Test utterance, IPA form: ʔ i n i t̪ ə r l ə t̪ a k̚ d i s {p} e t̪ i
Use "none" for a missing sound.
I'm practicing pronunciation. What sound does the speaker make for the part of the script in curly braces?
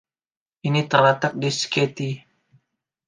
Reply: k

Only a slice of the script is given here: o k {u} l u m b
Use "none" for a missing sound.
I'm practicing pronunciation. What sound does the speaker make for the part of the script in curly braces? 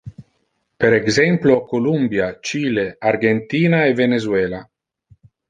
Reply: o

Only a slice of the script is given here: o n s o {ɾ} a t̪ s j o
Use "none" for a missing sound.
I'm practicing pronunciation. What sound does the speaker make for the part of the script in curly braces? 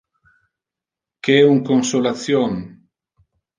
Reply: l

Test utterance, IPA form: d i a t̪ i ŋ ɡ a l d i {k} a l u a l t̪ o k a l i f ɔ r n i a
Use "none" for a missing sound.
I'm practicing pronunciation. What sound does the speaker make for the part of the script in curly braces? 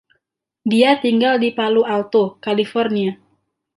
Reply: p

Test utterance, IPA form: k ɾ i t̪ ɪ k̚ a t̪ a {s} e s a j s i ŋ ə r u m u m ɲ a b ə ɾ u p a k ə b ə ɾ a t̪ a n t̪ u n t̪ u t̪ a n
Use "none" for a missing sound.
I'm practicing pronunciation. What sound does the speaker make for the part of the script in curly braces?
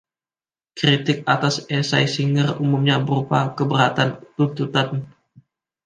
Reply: s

